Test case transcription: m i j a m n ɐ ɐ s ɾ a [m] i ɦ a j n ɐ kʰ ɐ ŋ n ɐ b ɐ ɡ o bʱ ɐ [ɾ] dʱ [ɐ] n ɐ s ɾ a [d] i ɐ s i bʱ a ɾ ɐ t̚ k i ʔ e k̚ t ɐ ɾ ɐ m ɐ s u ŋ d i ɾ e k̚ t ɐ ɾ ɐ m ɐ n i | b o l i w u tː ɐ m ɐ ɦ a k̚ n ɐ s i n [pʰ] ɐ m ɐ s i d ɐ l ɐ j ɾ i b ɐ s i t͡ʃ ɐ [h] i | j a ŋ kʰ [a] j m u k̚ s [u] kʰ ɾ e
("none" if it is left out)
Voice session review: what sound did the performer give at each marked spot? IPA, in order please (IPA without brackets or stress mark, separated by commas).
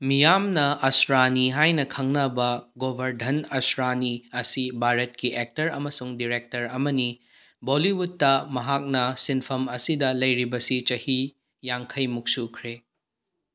n, ɾ, ɐ, n, pʰ, h, ɐ, u